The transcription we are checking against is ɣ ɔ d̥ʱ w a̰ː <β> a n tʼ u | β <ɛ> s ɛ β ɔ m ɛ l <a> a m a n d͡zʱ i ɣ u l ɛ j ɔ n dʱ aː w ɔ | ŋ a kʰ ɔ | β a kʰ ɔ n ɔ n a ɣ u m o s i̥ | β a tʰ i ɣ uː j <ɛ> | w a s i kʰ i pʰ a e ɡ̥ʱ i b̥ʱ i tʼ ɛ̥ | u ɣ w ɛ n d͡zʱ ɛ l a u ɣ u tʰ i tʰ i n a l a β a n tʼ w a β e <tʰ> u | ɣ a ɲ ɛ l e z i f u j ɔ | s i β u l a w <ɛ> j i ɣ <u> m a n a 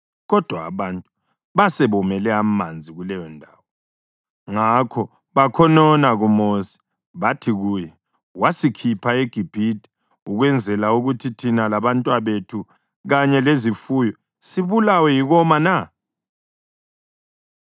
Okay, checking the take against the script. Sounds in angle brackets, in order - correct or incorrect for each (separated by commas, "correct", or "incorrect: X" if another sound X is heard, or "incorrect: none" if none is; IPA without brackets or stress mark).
correct, incorrect: a, incorrect: ɛ, correct, correct, correct, incorrect: ɔ